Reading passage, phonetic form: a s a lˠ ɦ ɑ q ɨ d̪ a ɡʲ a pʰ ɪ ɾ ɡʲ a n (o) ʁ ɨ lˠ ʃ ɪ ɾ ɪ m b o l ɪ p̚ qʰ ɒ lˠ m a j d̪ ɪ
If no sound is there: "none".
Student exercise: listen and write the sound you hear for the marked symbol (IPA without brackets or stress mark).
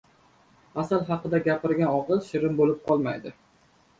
ɒ